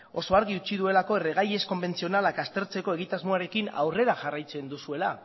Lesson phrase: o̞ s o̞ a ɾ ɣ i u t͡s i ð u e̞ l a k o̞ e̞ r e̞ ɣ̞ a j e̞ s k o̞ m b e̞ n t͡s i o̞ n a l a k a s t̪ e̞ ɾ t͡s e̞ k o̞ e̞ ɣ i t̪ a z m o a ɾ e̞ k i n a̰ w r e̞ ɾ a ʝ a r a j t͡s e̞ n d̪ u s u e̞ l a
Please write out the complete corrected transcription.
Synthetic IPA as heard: o̞ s o̞ a ɾ ɣ i u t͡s i ð u e̞ l a k o̞ e̞ r e̞ ɣ̞ a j e̞ s k o̞ m b e̞ n t͡s i o̞ n a l a k a s t̪ e̞ ɾ t͡s e̞ k o̞ e̞ ɣ i t̪ a z m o a ɾ e̞ k i n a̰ w r e̞ ɾ a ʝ a r a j t͡s e̞ n d̪ u s u e̞ l a

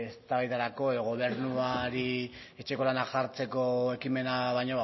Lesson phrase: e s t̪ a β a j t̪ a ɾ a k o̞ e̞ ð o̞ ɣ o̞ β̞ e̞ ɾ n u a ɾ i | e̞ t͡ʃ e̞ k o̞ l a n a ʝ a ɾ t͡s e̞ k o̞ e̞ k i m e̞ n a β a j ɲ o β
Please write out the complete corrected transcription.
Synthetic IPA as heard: e s t̪ a β a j t̪ a ɾ a k o̞ e̞ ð o̞ ɣ o̞ β̞ e̞ ɾ n u a ɾ i | e̞ t͡ʃ e̞ k o̞ l a n a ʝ a ɾ t͡s e̞ k o̞ e̞ k i m e̞ n a β a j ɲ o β

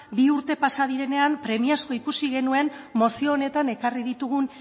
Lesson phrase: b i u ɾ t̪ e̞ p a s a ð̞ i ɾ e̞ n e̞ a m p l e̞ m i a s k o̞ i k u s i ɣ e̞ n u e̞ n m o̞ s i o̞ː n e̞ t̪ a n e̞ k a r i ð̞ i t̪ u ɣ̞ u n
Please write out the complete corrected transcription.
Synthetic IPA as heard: b i u ɾ t̪ e̞ p a s a ð̞ i ɾ e̞ n e̞ a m p ɾ e̞ m i a s k o̞ i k u s i ɣ e̞ n u e̞ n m o̞ s i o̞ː n e̞ t̪ a n e̞ k a r i ð̞ i t̪ u ɣ̞ u n

